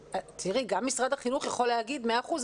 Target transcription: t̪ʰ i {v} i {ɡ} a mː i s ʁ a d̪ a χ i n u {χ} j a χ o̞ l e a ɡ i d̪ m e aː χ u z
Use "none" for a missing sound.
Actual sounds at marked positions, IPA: ʁ, ɡ, χ

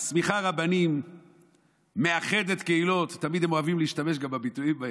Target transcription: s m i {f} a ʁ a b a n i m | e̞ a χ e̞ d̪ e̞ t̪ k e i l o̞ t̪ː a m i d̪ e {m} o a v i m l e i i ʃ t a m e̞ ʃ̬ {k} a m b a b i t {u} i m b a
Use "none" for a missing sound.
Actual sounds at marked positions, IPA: χ, m, ɡ, u

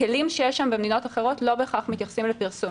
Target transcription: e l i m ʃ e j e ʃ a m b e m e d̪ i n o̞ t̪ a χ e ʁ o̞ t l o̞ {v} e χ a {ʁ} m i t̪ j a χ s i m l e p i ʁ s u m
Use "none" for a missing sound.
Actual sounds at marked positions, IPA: b, χ

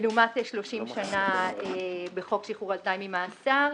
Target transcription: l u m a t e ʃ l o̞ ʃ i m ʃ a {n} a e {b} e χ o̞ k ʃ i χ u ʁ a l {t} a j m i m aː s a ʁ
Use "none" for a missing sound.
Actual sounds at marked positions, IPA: n, b, t

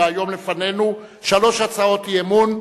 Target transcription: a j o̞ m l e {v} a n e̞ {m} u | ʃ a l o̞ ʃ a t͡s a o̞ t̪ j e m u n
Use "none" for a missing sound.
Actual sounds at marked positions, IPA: f, n

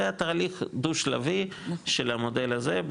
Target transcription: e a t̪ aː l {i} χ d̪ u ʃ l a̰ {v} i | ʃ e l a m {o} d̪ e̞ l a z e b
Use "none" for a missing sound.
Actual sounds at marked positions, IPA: i, v, o

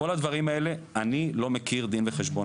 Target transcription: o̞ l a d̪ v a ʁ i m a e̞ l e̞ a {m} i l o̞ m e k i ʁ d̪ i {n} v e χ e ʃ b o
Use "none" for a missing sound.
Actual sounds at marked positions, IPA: n, n

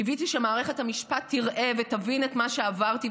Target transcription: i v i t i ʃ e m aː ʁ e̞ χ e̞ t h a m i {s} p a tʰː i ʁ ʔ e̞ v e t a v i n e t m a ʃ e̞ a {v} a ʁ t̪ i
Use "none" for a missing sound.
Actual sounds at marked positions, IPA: ʃ, v

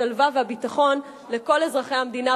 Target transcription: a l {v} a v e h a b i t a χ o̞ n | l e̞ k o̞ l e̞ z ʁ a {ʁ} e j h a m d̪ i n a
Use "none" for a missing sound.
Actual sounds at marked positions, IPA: v, χ

